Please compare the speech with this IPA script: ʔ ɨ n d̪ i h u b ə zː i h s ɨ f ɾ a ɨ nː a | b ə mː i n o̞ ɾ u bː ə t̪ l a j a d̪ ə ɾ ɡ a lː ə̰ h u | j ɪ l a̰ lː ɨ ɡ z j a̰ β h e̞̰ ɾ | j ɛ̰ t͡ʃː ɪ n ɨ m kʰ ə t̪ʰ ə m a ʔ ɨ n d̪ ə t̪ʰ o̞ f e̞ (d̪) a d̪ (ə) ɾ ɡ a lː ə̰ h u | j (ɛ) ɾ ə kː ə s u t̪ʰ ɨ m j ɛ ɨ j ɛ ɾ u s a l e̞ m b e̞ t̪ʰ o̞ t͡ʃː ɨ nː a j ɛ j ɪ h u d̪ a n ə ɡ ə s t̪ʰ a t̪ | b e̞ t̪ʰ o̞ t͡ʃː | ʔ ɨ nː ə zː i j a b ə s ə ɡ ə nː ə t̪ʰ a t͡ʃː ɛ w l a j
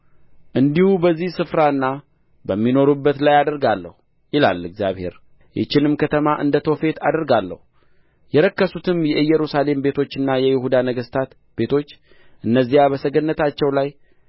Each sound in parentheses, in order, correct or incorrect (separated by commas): incorrect, correct, correct